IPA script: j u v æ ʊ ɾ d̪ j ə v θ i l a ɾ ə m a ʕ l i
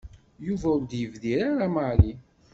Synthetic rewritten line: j u v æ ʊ ɾ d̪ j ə v ð i ɾ a ɾ a m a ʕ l i